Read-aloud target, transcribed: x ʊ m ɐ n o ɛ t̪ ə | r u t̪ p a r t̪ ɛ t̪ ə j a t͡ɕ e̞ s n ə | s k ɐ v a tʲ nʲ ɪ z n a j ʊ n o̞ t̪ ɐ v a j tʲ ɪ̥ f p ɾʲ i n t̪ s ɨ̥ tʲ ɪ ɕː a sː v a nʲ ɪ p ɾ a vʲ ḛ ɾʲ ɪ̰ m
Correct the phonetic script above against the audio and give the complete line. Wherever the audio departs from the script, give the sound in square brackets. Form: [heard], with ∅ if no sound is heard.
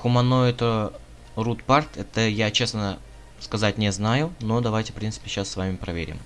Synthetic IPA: x ʊ m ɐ n o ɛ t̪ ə | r u t̪ p a r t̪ ɛ t̪ ə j a t͡ɕ e̞ s n ə | s k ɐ [z] a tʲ nʲ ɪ z n a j ʊ n o̞ [d̪] ɐ v a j tʲ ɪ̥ f p ɾʲ i n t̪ s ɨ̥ [pʲ] ɪ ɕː a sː v a [mʲ] ɪ p ɾ [ɐ] vʲ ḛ ɾʲ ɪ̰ m